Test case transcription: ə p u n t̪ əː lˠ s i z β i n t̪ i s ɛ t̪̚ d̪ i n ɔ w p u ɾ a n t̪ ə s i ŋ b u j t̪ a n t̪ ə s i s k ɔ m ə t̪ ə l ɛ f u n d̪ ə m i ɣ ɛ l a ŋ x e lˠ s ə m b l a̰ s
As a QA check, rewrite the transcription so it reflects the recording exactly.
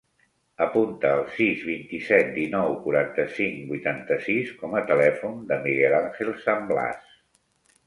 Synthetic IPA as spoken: ə p u n t̪ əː lˠ s i z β i n t̪ i s ɛ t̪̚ d̪ i n ɔ w k u ɾ a n t̪ ə s i ŋ b u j t̪ a n t̪ ə s i s k ɔ m ə t̪ ə l ɛ f u n d̪ ə m i ɣ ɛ l a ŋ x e lˠ s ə m b l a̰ s